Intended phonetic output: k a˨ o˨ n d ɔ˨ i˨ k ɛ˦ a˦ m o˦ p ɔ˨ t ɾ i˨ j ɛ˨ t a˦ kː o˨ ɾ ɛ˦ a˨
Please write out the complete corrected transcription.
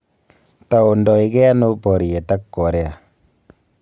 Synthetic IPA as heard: t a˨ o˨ n d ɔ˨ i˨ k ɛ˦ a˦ n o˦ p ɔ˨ ɾ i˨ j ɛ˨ t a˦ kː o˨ ɾ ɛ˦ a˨